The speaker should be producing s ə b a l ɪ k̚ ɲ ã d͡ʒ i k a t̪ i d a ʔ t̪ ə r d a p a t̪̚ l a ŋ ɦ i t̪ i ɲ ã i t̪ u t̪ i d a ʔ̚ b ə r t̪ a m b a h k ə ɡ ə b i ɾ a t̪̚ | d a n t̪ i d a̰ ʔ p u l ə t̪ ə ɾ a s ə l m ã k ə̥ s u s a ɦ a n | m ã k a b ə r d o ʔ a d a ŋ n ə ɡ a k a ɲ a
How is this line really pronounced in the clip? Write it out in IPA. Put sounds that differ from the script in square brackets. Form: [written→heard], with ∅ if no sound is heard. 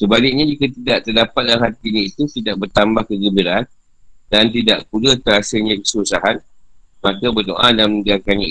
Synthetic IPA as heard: s ə b a l ɪ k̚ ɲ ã d͡ʒ i k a t̪ i d a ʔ t̪ ə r d a p a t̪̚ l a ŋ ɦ [i→a] t̪ i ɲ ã i t̪ u t̪ i d a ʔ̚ b ə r t̪ a m b a h k ə ɡ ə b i ɾ a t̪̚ | d a n t̪ i d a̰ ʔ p u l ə t̪ ə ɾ a s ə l [m→ɲ] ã k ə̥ s u s a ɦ a n | m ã k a b ə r d o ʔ a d a [ŋ→m] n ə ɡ a k a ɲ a